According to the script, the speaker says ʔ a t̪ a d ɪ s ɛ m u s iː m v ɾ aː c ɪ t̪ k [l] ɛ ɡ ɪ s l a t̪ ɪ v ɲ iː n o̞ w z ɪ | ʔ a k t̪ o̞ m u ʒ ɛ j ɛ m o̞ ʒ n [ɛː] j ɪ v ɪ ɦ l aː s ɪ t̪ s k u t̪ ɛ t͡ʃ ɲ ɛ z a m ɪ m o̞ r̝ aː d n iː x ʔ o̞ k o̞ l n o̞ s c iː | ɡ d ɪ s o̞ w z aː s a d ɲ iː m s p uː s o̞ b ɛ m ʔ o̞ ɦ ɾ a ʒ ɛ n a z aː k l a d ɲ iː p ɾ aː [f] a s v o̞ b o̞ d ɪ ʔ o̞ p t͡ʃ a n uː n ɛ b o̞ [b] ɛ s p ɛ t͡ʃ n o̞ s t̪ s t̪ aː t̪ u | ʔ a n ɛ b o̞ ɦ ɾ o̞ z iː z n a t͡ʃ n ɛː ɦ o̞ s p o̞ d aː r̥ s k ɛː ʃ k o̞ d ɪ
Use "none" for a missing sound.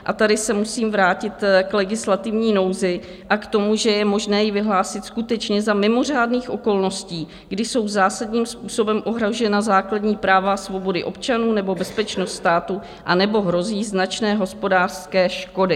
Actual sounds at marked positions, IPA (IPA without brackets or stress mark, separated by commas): l, ɛː, v, b